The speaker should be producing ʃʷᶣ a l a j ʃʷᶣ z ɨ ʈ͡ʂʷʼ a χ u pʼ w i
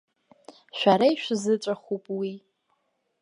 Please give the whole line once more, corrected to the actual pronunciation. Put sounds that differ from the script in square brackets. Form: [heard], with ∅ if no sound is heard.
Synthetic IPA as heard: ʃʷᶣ a [ɾ] a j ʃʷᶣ z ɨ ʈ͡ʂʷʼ a χ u pʼ w i